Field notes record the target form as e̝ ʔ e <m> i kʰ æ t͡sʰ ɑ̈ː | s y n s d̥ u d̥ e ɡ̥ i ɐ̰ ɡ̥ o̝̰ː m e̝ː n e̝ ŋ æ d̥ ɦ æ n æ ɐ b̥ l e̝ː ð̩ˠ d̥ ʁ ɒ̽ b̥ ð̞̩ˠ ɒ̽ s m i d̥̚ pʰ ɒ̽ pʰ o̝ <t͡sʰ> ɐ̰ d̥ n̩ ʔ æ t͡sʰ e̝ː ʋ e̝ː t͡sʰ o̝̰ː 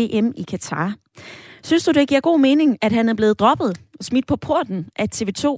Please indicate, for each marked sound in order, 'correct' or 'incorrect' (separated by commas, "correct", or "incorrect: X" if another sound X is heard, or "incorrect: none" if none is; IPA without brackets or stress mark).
correct, incorrect: none